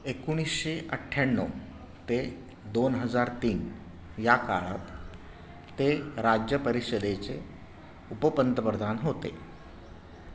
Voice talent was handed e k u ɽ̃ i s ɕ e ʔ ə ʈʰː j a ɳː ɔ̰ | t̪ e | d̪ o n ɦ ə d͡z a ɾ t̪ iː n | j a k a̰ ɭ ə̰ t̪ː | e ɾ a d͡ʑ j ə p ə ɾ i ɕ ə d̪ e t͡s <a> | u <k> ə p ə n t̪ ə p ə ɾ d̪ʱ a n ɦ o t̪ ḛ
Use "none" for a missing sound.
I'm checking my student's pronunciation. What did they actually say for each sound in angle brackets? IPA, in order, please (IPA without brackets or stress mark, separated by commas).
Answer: e, p